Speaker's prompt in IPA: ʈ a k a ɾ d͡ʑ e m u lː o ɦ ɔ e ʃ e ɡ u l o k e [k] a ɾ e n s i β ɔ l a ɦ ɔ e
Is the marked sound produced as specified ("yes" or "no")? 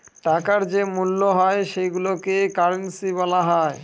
yes